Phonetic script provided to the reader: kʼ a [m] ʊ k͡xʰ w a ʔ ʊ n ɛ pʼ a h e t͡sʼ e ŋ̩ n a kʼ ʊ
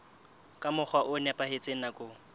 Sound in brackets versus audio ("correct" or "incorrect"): correct